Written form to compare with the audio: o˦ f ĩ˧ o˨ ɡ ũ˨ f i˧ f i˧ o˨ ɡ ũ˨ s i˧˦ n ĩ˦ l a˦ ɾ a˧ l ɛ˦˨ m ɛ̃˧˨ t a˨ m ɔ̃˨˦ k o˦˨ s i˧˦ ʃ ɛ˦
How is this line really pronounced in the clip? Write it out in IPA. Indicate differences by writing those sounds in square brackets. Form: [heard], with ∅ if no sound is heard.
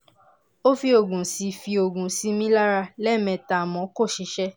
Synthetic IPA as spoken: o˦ f [i˧] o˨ ɡ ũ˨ [s] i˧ f i˧ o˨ ɡ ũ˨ s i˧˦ [m] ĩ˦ l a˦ ɾ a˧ l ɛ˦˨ m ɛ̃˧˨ t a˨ m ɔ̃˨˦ k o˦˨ [ʃ] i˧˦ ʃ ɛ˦